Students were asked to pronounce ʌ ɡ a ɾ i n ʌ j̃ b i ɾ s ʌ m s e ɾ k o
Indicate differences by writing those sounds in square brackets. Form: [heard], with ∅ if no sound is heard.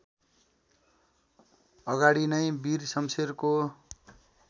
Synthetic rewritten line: ʌ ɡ a [ɽ] i n ʌ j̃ b i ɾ s ʌ m s e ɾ k o